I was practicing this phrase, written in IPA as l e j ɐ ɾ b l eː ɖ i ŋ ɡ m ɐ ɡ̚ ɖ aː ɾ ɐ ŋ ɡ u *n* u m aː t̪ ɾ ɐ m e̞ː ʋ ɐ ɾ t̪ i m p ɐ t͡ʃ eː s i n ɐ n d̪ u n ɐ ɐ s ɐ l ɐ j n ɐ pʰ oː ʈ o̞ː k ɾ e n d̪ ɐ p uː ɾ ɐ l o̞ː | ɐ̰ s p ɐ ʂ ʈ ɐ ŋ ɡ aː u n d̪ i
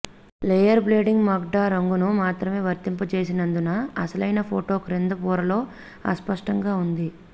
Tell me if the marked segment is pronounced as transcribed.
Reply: yes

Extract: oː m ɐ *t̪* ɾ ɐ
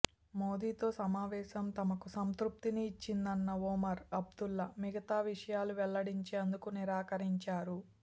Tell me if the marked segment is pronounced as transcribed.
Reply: no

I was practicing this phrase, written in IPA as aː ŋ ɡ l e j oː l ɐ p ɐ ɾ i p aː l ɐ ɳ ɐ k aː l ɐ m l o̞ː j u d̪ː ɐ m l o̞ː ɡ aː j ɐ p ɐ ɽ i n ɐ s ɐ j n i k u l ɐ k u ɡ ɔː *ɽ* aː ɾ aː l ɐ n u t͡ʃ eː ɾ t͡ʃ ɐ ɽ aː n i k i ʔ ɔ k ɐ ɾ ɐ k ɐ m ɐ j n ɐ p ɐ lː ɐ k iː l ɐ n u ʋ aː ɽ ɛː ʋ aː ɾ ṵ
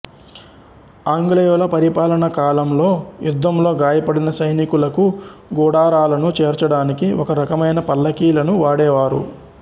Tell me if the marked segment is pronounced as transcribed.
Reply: yes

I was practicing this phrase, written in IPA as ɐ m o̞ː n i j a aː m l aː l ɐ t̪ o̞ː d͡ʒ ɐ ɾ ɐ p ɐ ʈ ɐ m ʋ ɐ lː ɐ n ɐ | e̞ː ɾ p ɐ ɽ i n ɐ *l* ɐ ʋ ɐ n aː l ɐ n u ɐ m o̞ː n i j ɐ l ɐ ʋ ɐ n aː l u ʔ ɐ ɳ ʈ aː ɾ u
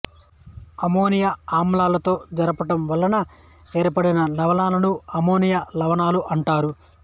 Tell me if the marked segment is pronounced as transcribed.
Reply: yes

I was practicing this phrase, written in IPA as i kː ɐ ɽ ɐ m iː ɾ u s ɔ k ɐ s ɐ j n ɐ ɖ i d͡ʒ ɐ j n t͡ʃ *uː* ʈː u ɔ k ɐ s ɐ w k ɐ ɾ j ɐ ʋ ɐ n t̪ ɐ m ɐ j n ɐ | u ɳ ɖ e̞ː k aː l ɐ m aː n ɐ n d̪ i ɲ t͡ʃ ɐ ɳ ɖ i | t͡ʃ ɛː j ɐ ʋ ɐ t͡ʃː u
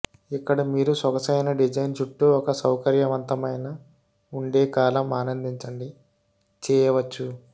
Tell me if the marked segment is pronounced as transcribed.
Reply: no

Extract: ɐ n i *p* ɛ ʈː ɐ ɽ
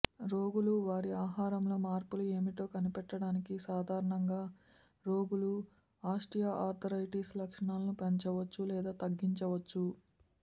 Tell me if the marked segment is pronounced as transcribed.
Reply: yes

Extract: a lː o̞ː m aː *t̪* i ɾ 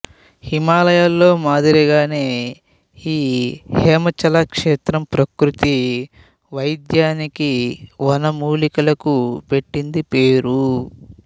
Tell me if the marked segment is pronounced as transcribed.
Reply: no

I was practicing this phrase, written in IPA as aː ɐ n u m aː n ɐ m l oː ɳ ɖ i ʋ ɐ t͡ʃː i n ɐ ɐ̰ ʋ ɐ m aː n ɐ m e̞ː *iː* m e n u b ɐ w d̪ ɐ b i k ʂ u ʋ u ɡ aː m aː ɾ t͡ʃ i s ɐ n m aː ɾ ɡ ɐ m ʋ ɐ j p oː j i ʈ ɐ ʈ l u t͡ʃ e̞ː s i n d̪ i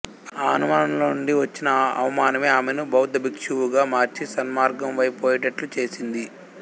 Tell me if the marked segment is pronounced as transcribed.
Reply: no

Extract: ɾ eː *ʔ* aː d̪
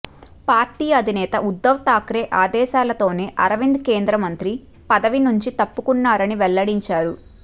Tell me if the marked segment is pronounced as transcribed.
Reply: yes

